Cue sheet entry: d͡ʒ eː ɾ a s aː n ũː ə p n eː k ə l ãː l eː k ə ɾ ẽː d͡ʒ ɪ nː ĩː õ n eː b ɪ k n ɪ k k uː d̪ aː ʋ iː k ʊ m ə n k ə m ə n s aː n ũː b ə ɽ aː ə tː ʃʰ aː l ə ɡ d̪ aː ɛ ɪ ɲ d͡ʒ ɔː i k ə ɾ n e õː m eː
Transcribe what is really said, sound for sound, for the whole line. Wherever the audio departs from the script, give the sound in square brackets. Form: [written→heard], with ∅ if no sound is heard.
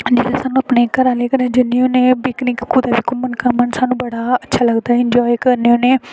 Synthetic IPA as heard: d͡ʒ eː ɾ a s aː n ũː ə p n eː k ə [l→ɾ] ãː l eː k ə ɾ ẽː d͡ʒ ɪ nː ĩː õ n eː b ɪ k n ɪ k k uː d̪ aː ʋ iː k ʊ m ə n k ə m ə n s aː n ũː b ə ɽ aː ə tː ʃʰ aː l ə ɡ d̪ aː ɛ ɪ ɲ d͡ʒ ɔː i k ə ɾ n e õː [m→n] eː